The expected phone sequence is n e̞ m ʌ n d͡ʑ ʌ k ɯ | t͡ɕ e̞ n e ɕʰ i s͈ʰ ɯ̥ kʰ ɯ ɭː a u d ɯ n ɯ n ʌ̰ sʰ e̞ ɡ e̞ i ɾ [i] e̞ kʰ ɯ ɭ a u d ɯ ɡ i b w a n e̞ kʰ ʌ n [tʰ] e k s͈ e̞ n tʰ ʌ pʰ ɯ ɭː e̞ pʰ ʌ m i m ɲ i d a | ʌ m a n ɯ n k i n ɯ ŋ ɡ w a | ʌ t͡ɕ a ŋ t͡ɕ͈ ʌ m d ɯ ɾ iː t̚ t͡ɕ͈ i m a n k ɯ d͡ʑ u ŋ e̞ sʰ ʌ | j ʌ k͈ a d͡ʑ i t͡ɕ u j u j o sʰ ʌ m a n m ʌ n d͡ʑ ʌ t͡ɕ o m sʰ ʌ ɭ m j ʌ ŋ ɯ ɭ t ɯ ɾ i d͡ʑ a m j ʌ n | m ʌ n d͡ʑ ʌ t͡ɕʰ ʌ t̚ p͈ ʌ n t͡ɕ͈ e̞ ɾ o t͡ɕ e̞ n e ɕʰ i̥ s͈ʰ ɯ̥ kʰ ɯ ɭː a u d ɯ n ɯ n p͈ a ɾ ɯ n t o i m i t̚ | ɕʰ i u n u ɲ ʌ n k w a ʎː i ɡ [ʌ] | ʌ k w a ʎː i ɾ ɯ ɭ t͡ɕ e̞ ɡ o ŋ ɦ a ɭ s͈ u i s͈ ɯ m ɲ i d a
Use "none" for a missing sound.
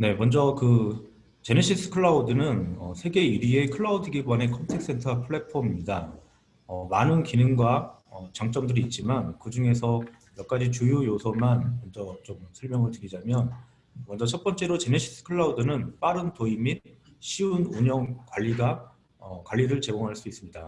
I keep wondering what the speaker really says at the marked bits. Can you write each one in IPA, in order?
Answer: i, tʰ, a

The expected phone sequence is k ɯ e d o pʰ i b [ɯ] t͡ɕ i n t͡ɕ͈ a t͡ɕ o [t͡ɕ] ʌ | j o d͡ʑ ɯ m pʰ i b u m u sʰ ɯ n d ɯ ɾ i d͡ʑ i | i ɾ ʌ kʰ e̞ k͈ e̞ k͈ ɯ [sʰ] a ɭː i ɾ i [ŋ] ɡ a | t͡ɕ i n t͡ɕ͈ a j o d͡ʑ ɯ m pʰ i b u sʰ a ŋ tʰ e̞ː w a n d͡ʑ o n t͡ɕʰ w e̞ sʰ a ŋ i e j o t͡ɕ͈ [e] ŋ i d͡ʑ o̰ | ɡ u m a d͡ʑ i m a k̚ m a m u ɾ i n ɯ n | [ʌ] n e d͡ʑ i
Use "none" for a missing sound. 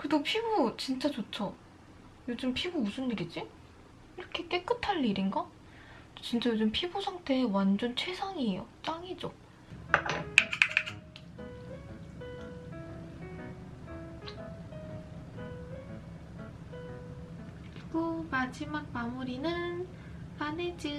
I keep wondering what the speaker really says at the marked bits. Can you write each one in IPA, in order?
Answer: u, t͡ɕʰ, tʰ, n, a, a

